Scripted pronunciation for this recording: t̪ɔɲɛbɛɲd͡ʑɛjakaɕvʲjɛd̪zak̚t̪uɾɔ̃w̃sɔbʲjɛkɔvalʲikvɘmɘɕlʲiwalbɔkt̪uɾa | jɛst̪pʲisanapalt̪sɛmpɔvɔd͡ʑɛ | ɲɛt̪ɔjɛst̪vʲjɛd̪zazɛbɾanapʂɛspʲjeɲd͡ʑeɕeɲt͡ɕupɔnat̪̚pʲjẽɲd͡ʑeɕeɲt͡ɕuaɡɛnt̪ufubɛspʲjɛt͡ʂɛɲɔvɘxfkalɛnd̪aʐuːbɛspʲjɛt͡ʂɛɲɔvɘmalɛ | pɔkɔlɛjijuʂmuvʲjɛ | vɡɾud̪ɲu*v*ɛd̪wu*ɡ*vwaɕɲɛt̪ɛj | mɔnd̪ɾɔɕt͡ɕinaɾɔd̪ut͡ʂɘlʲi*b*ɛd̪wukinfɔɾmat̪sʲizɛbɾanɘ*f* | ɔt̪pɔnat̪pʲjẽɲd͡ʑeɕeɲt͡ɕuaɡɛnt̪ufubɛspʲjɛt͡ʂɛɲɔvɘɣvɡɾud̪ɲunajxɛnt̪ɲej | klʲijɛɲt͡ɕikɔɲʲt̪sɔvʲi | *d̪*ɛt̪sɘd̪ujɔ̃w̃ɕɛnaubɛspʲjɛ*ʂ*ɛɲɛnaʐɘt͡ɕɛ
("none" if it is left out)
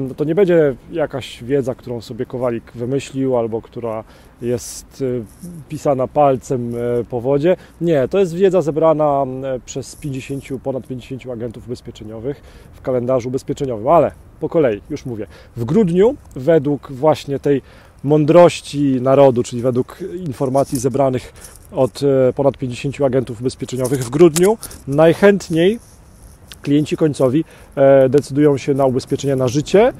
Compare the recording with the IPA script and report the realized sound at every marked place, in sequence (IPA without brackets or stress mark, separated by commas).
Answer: v, k, v, x, d̪, t͡ʂ